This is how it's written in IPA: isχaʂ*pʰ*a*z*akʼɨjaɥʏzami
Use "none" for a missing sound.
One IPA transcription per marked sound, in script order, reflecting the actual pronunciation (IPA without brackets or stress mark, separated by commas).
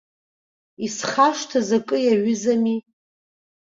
tʰ, z